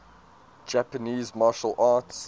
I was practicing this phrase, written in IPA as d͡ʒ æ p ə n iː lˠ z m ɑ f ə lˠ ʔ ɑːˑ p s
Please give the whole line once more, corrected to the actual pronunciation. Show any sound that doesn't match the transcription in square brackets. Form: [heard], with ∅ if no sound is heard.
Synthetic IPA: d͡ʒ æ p ə n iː [∅] z m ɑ [ʃ] ə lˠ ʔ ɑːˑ [t] s